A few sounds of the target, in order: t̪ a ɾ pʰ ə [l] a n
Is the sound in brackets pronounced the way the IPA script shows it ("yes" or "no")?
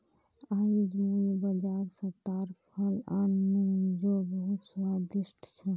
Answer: yes